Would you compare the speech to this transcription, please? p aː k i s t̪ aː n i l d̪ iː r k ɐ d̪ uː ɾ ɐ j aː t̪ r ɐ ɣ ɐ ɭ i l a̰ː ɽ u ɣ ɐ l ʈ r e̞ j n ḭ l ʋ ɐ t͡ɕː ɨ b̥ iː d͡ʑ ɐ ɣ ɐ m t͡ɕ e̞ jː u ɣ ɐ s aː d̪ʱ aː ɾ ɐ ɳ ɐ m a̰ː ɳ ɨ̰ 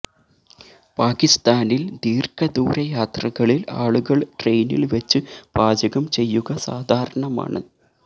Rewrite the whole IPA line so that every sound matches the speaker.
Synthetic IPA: p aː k i s t̪ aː n i l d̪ iː r k ɐ d̪ uː ɾ ɐ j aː t̪ r ɐ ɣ ɐ ɭ i l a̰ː ɭ u ɣ ɐ ɭ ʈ r e̞ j n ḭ l ʋ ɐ t͡ɕː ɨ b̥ aː d͡ʑ ɐ ɣ ɐ m t͡ɕ e̞ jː u ɣ ɐ s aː d̪ʱ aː ɾ ɐ ɳ ɐ m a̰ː ɳ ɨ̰